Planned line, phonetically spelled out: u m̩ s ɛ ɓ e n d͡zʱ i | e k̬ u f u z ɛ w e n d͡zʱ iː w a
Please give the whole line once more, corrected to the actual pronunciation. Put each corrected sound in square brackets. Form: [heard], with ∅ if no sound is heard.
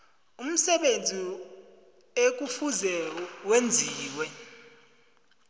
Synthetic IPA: u m̩ s ɛ ɓ e n d͡zʱ i | e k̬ u f u z ɛ w e n d͡zʱ iː w [ɛ]